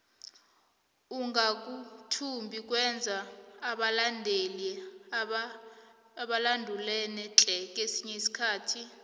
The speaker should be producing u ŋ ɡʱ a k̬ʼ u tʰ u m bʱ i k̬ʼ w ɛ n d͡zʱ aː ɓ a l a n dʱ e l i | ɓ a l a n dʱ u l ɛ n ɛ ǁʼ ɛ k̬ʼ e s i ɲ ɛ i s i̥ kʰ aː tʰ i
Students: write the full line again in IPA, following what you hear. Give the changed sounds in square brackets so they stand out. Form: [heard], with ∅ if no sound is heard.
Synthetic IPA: u ŋ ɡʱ a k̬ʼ u tʰ u m bʱ i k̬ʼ w ɛ n d͡zʱ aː ɓ a l a n dʱ e l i | ɓ a l a n dʱ u l ɛ n ɛ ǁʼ ɛ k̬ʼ e s i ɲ ɛ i s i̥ kʰ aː tʰ i